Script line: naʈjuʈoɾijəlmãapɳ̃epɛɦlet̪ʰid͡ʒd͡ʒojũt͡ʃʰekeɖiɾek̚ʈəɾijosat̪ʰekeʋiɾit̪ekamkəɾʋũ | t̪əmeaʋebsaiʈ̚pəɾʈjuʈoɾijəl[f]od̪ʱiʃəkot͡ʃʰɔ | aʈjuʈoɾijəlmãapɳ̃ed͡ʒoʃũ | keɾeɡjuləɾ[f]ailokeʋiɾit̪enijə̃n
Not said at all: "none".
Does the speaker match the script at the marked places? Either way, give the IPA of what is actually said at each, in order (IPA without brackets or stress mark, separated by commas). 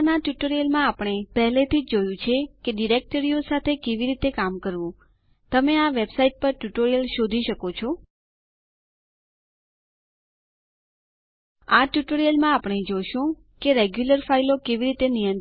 ʃ, f